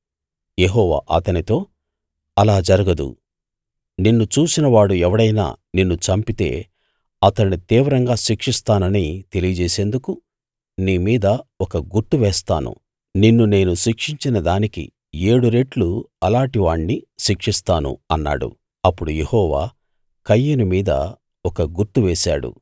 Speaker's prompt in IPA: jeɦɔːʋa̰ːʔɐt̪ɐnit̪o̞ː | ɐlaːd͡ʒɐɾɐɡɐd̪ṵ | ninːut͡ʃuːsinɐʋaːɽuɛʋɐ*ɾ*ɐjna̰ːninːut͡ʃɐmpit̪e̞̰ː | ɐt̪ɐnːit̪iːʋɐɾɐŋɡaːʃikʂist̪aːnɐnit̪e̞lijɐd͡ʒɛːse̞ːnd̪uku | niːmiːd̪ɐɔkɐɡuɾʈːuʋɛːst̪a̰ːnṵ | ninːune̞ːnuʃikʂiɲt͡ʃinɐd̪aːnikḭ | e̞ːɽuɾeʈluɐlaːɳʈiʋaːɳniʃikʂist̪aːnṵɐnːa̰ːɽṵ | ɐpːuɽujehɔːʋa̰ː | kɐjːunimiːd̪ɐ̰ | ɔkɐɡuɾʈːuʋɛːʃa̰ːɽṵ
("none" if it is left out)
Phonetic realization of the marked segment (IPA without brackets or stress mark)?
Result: ɽ